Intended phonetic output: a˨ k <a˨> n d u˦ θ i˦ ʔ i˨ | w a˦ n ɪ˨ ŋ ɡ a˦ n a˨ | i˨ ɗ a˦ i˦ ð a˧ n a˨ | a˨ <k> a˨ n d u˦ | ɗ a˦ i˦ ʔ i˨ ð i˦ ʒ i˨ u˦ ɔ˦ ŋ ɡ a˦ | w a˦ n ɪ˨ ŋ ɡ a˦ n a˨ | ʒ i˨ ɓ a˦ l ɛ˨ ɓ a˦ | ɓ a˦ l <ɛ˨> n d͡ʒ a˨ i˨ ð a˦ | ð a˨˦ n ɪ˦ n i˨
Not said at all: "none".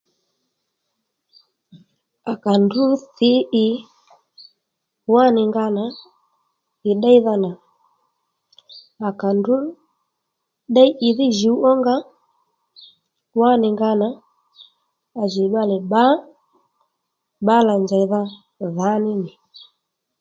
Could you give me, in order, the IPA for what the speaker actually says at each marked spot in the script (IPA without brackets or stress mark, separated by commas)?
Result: a˨, k, a˨